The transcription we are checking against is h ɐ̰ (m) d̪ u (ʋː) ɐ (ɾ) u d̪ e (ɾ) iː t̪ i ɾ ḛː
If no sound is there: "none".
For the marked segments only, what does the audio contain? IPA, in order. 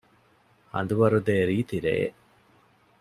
n, ʋ, ɾ, ɾ

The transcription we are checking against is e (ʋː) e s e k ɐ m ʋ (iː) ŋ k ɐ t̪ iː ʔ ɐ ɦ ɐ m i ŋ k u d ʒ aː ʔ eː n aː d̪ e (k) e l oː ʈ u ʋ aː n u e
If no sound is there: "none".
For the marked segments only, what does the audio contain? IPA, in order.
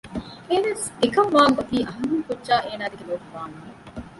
ʋ, aː, ɡ

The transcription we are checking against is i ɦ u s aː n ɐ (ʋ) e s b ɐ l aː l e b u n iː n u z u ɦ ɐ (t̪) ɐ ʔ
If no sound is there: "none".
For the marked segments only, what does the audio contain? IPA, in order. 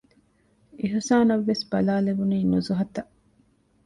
ʋː, t̪

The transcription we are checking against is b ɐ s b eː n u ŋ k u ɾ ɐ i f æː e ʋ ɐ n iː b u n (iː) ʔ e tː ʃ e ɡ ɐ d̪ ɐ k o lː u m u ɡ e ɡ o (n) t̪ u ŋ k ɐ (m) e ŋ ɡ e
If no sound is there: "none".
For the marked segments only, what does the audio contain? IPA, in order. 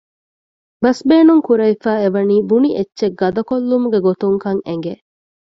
i, none, ŋ

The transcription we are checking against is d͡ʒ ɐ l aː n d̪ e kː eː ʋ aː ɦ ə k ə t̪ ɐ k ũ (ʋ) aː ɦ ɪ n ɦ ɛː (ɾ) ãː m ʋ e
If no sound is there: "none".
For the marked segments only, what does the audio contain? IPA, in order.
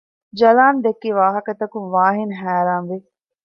ʋ, ɾ

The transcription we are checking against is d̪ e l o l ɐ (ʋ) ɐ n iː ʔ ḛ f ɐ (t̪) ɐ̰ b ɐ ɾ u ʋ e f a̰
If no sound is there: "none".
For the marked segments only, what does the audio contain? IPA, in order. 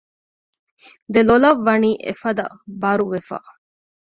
ʋː, d̪

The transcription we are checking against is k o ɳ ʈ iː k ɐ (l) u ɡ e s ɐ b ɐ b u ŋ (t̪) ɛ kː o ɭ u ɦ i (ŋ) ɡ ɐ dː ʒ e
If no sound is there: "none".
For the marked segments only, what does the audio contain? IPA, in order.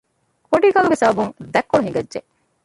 l, d̪, ŋ

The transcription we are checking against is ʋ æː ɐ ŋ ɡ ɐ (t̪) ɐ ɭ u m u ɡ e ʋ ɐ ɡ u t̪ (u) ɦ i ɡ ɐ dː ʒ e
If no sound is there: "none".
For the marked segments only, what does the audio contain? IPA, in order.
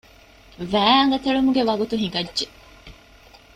t̪, u

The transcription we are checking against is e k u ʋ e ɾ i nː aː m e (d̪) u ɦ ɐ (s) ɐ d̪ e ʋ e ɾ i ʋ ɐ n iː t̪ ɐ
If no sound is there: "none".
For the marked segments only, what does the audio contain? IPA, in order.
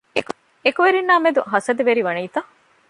d̪, s

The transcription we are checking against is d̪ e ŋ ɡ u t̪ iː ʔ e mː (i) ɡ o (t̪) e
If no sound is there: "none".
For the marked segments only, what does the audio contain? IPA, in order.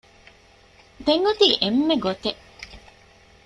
e, t̪

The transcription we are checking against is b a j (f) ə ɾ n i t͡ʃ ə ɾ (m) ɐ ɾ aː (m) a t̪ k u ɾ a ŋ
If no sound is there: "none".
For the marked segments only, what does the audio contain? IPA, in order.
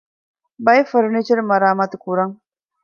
f, m, m

